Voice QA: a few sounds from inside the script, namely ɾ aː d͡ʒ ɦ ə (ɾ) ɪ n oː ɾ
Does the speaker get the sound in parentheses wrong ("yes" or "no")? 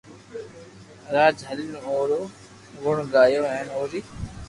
yes